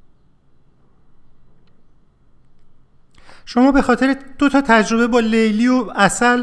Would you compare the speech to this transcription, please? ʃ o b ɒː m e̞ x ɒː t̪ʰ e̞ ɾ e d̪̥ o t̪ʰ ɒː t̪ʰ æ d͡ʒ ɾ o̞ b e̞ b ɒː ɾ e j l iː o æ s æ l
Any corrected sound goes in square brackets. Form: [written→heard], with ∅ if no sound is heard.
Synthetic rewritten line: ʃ o [b→m] ɒː [m→b] e̞ x ɒː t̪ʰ e̞ ɾ e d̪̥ o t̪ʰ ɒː t̪ʰ æ d͡ʒ ɾ o̞ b e̞ b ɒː [ɾ→l] e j l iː o æ s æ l